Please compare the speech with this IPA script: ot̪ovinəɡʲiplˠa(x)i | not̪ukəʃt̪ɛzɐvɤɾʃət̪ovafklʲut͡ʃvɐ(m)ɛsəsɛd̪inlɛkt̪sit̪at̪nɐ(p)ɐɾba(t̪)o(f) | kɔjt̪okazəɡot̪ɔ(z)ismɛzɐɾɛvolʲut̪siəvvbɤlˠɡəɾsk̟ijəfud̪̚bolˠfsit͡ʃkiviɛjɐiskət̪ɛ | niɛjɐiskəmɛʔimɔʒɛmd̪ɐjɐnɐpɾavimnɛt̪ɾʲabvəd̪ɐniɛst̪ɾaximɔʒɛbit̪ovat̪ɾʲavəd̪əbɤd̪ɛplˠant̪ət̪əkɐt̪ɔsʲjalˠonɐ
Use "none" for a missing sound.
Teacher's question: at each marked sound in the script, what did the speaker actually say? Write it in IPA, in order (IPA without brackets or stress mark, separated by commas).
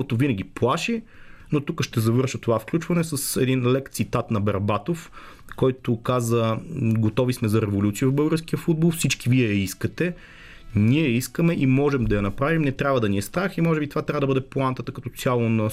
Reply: ʃ, n, b, t̪, f, v